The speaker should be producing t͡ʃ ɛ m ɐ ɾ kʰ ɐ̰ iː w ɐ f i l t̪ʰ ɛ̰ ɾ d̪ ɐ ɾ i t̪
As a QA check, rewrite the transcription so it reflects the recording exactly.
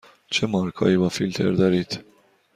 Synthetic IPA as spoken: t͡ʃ ɛ m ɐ ɾ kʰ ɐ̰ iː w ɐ f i l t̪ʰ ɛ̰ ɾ d̪ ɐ ɾ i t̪